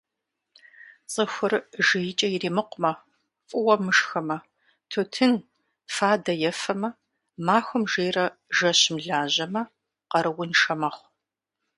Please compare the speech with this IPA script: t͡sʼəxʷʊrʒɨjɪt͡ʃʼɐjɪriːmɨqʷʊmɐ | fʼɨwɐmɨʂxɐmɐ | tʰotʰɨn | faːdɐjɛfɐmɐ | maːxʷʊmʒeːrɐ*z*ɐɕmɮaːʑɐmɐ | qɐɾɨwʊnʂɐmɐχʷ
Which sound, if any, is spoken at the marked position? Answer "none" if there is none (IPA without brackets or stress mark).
ʒ